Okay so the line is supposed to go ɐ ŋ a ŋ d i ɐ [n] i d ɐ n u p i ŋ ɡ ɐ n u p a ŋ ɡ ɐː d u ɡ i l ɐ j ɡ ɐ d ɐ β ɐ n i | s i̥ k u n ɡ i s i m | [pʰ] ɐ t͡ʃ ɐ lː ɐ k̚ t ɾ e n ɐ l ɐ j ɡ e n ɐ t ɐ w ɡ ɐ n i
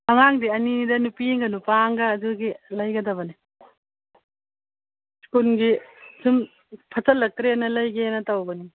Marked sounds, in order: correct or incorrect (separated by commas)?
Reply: correct, correct